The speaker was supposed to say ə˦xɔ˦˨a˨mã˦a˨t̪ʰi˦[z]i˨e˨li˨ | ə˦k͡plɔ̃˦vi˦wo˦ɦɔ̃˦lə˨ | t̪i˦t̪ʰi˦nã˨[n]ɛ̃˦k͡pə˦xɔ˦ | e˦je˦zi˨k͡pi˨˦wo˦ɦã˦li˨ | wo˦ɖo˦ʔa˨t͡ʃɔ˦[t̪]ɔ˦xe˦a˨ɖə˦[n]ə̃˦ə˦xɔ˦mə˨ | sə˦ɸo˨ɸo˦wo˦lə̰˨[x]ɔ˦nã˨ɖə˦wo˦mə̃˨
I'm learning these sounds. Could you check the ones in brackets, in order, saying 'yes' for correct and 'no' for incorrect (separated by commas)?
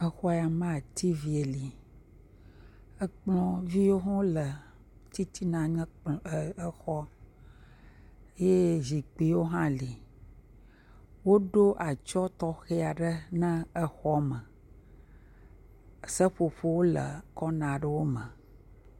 no, no, yes, yes, no